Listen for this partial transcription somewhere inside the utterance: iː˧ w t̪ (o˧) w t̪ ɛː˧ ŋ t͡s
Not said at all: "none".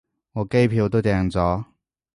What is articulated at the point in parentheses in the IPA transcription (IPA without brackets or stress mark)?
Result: o˥